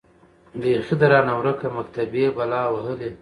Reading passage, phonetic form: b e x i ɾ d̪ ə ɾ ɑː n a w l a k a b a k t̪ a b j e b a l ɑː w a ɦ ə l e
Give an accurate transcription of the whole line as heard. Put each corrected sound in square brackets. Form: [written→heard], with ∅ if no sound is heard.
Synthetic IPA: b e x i [ɾ→∅] d̪ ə ɾ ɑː n a w [l→ɾ] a k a [b→m] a k t̪ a b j e b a l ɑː w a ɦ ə l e